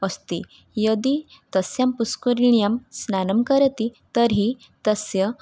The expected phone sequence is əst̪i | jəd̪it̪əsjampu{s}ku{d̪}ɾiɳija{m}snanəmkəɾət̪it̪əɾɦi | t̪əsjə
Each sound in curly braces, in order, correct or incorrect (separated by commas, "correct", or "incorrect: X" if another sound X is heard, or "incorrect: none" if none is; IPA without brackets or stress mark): correct, incorrect: none, correct